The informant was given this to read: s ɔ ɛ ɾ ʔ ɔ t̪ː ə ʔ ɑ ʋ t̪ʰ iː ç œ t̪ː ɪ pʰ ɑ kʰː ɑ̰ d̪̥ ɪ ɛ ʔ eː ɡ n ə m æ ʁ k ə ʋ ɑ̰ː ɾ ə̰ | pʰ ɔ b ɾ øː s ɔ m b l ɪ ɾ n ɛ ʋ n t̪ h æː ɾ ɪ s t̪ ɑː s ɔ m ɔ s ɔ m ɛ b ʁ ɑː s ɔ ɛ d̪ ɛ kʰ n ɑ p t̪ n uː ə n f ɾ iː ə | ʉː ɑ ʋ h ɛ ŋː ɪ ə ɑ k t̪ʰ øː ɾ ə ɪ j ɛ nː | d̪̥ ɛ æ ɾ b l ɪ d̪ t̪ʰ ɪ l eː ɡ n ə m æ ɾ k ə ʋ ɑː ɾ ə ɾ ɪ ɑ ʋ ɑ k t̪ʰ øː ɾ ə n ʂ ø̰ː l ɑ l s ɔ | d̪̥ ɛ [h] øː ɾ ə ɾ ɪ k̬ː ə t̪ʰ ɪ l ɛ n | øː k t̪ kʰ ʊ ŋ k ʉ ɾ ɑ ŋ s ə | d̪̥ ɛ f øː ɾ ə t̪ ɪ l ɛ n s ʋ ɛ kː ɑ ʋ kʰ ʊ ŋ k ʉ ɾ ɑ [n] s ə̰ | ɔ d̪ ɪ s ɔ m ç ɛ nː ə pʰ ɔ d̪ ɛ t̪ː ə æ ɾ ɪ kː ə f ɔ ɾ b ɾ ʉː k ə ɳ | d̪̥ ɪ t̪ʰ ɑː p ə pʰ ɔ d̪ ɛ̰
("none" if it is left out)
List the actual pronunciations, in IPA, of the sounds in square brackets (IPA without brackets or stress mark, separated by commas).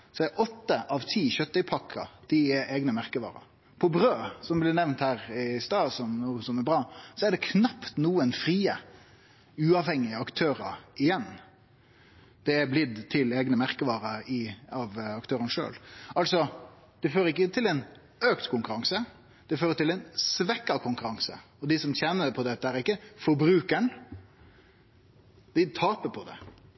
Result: f, ŋ